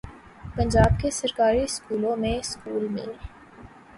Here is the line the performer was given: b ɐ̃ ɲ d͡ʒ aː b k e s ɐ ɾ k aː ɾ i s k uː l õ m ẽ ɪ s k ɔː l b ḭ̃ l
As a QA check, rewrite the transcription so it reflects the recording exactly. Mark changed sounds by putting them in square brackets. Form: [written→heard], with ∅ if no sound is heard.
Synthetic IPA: [b→p] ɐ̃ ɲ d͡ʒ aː b k e s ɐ ɾ k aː ɾ i s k uː l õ m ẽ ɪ s k [ɔː→uː] l [b→m] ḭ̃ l

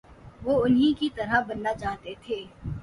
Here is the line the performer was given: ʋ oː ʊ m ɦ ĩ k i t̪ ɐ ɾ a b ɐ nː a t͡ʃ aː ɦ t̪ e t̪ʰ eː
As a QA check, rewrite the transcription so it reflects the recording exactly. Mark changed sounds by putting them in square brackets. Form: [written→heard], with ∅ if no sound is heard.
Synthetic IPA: ʋ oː ʊ [m→n] ɦ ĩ k i t̪ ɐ ɾ a b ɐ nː a t͡ʃ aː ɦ t̪ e t̪ʰ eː

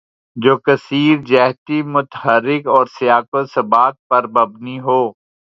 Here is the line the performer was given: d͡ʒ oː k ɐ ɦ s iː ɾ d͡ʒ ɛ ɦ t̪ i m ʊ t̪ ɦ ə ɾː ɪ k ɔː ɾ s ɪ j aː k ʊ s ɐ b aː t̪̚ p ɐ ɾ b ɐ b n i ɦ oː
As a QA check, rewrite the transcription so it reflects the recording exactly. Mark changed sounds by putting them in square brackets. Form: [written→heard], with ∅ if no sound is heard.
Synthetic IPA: d͡ʒ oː k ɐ [ɦ→∅] s iː ɾ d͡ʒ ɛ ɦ t̪ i m ʊ t̪ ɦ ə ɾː ɪ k ɔː ɾ s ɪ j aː k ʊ s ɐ b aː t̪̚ p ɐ ɾ b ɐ b n i ɦ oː

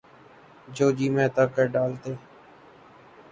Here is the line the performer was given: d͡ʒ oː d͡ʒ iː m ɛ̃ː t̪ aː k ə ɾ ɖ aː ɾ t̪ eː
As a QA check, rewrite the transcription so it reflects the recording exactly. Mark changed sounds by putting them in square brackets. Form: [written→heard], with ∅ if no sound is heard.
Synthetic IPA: d͡ʒ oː d͡ʒ iː m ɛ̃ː t̪ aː k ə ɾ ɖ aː [ɾ→l] t̪ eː

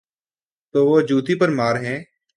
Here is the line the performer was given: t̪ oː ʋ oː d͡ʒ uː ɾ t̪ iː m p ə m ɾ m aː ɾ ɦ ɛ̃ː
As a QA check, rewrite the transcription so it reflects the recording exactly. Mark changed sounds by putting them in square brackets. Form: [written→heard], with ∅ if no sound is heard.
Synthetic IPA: t̪ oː ʋ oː d͡ʒ uː [ɾ→∅] t̪ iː [m→∅] p ə [m→∅] ɾ m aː ɾ ɦ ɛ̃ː

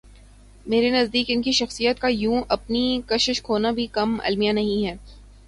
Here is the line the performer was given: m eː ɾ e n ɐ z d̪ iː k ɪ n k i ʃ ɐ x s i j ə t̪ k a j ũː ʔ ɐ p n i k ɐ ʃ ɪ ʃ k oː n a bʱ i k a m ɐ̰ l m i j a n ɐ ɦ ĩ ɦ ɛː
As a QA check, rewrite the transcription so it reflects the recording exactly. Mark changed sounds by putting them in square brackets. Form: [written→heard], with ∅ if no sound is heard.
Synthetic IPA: m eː ɾ e n ɐ z d̪ iː k ɪ n k i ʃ ɐ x s i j ə t̪ k a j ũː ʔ ɐ p n i k ɐ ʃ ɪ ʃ [k→kʰ] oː n a bʱ i k [a→ɐ] m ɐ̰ l m i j a n ɐ ɦ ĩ ɦ ɛː

